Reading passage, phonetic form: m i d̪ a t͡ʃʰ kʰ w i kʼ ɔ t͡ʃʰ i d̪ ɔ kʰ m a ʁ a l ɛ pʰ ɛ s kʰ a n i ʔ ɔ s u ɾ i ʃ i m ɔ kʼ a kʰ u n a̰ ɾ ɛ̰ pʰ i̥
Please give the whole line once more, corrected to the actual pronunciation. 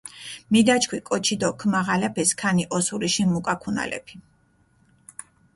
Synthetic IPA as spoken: m i d̪ a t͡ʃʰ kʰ w i kʼ ɔ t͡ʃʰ i d̪ ɔ kʰ m a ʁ a l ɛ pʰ ɛ s kʰ a n i ʔ ɔ s u ɾ i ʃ i m u kʼ a kʰ u n a̰ l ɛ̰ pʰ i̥